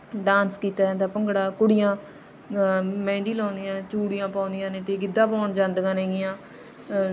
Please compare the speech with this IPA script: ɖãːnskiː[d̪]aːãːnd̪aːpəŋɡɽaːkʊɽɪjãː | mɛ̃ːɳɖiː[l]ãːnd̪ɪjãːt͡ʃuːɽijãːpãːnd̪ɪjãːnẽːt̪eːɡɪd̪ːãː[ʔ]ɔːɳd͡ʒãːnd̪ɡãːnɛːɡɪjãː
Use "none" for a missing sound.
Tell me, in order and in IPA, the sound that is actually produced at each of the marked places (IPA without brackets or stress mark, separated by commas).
t̪, l, p